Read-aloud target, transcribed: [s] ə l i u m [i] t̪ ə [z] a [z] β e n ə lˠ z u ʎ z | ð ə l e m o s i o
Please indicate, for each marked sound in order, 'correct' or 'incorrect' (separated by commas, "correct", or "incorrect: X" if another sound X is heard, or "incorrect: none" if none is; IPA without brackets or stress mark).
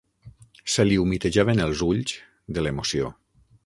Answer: correct, correct, incorrect: ʒ, incorrect: none